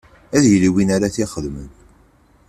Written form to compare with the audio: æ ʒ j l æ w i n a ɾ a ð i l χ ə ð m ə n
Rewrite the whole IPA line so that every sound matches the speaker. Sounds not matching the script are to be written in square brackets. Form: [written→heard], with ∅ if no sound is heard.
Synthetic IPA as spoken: æ [ʒ→ð] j l [æ→i] w i n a ɾ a [ð→θ] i [l→∅] χ ə ð m ə n